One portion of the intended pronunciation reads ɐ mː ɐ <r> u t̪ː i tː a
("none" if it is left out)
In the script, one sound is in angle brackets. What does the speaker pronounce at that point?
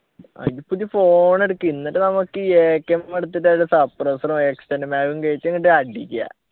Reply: ɽ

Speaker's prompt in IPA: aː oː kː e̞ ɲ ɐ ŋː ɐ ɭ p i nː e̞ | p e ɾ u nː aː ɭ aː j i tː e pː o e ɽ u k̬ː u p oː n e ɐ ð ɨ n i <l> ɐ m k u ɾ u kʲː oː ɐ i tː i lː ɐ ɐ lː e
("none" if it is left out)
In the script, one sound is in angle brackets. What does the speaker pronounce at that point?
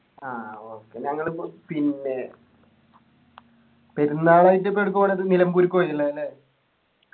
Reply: l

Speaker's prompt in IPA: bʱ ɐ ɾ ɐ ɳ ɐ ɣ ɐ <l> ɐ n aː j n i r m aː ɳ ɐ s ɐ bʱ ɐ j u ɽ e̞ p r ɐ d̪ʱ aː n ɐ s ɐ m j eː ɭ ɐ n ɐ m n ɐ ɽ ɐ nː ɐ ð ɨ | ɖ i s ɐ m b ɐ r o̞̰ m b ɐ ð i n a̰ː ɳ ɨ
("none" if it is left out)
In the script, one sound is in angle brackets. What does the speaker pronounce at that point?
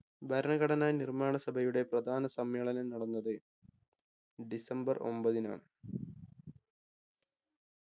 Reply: ɽ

